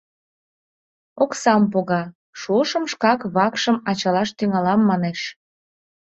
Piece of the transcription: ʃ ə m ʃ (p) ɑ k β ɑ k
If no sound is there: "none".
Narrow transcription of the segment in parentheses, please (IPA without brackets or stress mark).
k